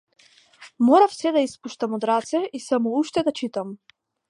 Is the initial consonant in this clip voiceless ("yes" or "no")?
no